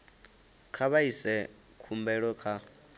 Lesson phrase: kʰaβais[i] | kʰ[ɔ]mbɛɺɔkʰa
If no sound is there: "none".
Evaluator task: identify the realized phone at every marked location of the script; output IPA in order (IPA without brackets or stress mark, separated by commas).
ɛ, u